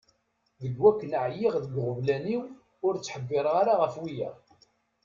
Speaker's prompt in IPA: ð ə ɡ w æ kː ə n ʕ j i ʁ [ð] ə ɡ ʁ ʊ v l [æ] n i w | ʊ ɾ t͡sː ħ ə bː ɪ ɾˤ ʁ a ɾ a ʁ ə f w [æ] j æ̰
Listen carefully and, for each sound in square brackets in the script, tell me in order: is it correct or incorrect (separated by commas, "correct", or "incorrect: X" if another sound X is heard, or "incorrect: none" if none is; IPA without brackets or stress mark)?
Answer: correct, correct, incorrect: i